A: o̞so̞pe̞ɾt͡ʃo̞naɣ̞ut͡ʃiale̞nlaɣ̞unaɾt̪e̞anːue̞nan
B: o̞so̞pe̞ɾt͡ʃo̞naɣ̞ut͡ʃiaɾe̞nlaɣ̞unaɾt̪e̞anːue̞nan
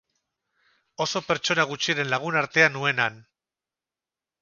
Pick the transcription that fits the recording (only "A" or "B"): B